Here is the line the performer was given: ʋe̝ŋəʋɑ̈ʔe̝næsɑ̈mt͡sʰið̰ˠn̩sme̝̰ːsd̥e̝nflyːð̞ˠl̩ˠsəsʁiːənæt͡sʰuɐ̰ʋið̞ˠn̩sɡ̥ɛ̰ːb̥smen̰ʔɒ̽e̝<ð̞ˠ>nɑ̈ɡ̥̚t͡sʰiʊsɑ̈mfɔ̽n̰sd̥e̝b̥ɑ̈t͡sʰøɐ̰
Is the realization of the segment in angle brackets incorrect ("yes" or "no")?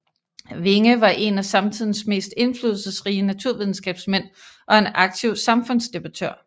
yes